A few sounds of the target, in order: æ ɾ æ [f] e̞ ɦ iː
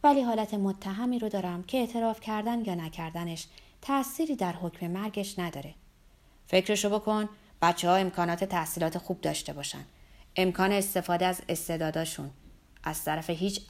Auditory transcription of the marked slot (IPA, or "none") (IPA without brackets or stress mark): f